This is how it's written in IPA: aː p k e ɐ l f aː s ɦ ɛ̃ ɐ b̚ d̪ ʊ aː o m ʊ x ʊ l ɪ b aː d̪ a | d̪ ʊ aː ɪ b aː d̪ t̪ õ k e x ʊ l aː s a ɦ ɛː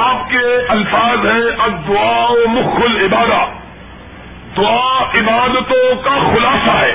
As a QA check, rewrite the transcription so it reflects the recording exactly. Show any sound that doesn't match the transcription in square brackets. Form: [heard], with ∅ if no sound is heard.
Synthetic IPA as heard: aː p k e ɐ l f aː [z] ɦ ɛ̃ ɐ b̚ d̪ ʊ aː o m ʊ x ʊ l ɪ b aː d̪ a | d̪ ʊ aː ɪ b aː d̪ t̪ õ k [a] x ʊ l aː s a ɦ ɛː